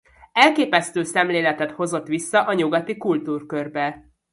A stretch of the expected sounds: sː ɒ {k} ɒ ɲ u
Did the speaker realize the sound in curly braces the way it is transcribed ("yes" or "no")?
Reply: no